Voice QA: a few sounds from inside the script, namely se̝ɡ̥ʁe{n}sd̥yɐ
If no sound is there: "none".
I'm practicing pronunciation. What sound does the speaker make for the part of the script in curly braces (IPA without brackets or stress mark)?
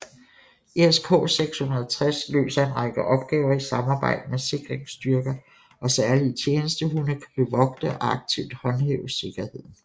ŋ